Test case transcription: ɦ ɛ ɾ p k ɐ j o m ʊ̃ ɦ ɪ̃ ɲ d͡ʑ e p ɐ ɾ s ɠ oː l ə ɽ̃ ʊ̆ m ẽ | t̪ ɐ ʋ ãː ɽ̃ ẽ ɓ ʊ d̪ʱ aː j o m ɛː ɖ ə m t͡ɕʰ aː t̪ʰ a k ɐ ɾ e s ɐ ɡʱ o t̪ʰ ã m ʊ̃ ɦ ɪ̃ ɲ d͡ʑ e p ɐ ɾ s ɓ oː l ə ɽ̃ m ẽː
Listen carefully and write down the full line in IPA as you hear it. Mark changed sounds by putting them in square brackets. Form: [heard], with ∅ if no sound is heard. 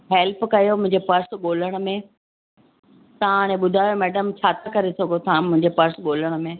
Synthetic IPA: ɦ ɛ [l] p k ɐ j o m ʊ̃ ɦ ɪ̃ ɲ d͡ʑ e p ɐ ɾ s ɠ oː l ə ɽ̃ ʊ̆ m ẽ | t̪ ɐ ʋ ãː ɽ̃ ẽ ɓ ʊ d̪ʱ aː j o m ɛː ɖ ə m t͡ɕʰ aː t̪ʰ a k ɐ ɾ e s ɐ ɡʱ o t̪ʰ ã m ʊ̃ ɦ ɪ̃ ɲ d͡ʑ e p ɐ ɾ s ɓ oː l ə ɽ̃ m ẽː